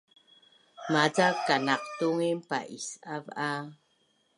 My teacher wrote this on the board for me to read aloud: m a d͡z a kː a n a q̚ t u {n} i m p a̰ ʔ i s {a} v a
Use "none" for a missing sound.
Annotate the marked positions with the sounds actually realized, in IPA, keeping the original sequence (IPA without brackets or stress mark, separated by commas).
ŋ, a